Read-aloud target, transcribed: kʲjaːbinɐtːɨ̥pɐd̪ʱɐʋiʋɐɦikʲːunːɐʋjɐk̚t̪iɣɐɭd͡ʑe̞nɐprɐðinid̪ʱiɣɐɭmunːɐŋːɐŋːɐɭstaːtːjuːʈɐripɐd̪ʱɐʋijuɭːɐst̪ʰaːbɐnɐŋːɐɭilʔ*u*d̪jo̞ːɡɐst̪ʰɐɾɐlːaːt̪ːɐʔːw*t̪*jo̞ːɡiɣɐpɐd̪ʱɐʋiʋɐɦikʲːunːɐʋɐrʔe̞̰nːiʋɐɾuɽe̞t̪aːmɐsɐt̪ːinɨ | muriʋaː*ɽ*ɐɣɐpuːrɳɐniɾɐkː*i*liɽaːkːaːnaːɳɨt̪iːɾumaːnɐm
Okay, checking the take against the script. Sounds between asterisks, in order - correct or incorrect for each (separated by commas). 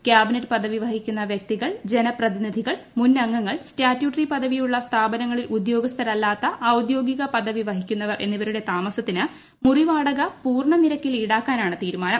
correct, incorrect, correct, correct